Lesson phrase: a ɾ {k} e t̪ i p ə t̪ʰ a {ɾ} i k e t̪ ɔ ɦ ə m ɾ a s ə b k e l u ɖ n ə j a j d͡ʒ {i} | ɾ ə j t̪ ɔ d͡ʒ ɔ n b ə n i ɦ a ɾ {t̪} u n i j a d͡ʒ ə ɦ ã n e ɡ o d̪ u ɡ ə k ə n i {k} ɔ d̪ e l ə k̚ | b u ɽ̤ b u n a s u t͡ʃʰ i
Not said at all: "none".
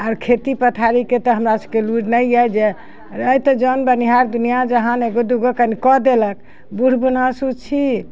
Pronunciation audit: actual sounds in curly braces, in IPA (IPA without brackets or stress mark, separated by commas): kʰ, ɾ, e, d̪, k